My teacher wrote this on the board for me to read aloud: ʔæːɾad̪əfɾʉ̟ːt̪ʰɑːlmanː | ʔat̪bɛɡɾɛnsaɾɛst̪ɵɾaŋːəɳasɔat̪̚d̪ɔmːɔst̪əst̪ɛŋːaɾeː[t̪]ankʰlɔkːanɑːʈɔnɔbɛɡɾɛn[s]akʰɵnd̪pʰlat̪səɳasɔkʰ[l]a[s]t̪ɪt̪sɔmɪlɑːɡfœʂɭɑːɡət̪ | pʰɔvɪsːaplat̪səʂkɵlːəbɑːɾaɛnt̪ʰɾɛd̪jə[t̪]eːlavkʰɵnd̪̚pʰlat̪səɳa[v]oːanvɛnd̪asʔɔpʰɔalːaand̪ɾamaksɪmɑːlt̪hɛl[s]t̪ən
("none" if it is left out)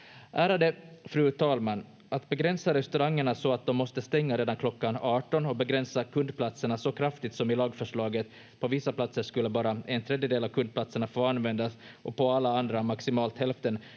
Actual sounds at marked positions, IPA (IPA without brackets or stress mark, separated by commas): d̪, s, ɾ, f, d̪, f, f